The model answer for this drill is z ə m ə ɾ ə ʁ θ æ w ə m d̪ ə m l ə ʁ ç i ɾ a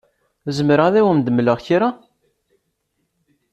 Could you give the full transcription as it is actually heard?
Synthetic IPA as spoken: z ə m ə ɾ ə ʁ ð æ w ə m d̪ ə m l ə ʁ ç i ɾ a